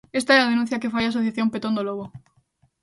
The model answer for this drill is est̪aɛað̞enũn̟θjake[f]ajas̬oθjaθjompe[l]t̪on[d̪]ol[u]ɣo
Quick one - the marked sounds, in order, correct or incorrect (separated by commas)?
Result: correct, incorrect, correct, incorrect